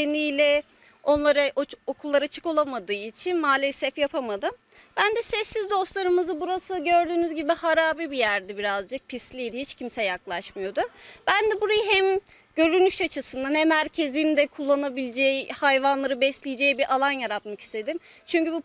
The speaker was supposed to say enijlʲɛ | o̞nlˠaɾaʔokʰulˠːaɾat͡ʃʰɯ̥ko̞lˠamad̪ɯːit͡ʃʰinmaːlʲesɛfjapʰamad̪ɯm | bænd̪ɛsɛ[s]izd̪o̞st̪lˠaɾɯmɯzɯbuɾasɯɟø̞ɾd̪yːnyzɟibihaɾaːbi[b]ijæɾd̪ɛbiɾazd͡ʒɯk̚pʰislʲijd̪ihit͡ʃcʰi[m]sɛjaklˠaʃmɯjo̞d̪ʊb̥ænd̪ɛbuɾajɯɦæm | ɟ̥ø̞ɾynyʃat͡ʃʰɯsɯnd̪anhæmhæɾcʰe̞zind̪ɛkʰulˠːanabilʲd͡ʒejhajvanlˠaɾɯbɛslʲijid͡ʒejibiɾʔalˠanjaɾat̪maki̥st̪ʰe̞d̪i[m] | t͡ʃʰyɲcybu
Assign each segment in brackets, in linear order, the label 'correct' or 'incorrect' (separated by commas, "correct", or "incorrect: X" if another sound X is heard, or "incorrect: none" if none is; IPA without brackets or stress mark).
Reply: incorrect: sː, correct, correct, correct